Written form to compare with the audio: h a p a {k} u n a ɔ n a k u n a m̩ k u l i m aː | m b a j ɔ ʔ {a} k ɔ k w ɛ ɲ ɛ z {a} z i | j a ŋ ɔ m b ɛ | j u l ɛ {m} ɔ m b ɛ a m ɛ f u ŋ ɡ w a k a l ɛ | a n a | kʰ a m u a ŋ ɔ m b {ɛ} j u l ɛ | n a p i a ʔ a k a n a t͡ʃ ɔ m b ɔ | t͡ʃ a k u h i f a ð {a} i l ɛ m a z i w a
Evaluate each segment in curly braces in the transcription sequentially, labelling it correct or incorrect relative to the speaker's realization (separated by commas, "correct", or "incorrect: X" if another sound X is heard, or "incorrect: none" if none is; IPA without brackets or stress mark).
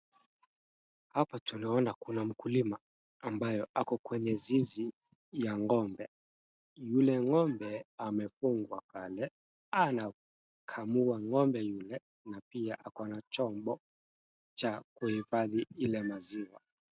incorrect: t, correct, incorrect: i, incorrect: ŋ, correct, incorrect: i